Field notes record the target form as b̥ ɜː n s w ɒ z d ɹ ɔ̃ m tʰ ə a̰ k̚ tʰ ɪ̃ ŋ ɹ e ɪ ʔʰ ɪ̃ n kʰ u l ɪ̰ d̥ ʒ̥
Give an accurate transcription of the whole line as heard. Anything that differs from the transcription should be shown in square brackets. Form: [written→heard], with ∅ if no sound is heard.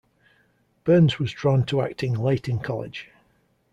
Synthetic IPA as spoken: b̥ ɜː n [s→z] w ɒ z d ɹ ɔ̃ [m→n] tʰ ə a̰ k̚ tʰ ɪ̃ ŋ [ɹ→l] e ɪ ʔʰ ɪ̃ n kʰ [u→ɒ] l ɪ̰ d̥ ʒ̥